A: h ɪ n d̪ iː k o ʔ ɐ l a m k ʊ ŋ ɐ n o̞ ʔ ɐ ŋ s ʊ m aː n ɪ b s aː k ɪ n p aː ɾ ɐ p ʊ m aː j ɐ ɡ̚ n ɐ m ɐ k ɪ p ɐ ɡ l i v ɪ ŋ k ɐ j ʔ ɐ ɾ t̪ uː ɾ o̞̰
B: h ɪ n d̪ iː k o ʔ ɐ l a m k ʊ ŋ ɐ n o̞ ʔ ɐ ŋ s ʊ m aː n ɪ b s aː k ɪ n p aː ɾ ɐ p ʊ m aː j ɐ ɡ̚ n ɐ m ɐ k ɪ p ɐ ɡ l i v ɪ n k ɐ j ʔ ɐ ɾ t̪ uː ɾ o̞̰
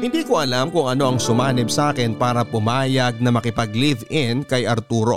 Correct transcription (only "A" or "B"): B